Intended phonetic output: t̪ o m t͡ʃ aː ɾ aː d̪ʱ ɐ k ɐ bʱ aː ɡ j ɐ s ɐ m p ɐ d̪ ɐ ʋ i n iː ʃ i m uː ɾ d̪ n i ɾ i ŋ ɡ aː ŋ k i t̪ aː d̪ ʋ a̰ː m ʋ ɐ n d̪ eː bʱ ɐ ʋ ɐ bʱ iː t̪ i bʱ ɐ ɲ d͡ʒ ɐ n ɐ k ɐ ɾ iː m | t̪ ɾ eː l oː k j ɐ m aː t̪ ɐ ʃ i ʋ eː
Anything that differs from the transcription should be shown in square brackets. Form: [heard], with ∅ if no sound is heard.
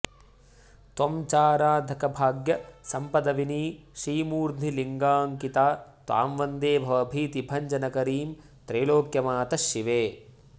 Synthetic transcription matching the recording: t̪ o m t͡ʃ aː ɾ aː d̪ʱ ɐ k ɐ bʱ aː ɡ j ɐ s ɐ m p ɐ d̪ ɐ ʋ i n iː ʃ [iː] m uː ɾ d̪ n i [l] i ŋ ɡ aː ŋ k i t̪ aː [t̪] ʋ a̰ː m ʋ ɐ n d̪ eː bʱ ɐ ʋ ɐ bʱ iː t̪ i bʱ ɐ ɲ d͡ʒ ɐ n ɐ k ɐ ɾ iː m | t̪ ɾ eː l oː k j ɐ m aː t̪ ɐ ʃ i ʋ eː